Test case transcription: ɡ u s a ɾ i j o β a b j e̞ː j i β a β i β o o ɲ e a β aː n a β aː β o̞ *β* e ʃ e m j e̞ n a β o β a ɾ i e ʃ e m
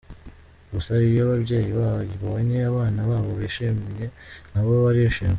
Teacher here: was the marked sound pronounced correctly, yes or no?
yes